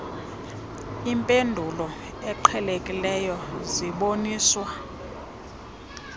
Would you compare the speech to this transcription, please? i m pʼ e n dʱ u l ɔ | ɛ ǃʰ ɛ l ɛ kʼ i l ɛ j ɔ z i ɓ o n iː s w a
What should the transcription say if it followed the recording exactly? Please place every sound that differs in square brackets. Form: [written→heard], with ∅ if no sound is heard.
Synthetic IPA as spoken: i m pʼ e n dʱ u l ɔ | ɛ ǃʰ ɛ l [ɛ→e] kʼ i l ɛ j ɔ z i ɓ o n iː s w a